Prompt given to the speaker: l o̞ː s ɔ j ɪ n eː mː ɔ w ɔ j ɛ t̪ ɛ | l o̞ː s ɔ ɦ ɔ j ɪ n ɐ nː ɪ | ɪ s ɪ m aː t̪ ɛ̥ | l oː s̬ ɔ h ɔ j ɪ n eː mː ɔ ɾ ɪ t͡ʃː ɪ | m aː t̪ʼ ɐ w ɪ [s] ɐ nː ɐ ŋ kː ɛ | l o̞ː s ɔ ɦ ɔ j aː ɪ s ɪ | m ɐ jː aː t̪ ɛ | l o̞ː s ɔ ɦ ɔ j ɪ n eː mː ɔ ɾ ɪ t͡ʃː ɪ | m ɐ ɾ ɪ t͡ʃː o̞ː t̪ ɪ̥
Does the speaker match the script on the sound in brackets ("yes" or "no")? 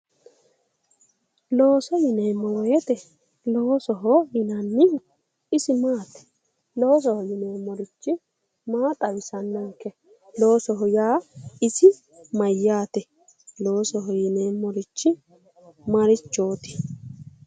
yes